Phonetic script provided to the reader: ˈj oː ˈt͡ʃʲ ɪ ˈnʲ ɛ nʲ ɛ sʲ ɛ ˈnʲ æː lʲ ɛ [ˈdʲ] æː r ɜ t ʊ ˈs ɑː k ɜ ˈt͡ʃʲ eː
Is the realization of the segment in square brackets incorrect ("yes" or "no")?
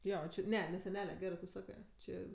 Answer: yes